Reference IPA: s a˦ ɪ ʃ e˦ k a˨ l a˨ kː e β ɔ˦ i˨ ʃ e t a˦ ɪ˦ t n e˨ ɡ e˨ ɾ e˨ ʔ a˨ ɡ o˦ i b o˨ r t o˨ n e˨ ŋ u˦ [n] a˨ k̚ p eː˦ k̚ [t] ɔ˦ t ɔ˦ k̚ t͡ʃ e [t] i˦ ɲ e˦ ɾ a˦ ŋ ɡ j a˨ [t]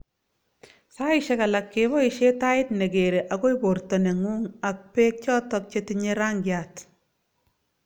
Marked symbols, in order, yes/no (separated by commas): no, no, yes, yes